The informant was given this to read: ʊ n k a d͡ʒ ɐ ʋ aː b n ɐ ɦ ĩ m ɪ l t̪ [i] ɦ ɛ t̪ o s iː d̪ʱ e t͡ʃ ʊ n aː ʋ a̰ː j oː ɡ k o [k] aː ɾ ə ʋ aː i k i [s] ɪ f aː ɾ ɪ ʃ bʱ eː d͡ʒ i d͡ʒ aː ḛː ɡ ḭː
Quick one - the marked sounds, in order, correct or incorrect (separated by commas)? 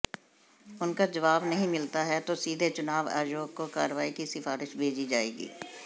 incorrect, correct, correct